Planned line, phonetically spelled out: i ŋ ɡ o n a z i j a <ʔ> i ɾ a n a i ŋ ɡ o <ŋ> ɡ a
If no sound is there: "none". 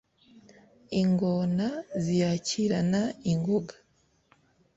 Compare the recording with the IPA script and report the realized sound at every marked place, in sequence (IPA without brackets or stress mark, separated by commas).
c, none